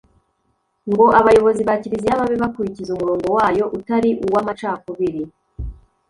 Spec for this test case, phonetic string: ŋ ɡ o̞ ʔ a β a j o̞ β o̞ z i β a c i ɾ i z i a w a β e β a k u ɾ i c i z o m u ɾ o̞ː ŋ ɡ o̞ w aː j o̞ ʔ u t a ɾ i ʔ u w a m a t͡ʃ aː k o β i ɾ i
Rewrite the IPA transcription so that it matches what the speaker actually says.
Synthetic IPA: ŋ ɡ o̞ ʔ a β a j o̞ β o̞ z i β a c i ɾ i z i a β a β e β a k u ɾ i c i z u m u ɾ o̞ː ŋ ɡ o̞ w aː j o̞ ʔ u t a ɾ i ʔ u w a m a t͡ʃ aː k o β i ɾ i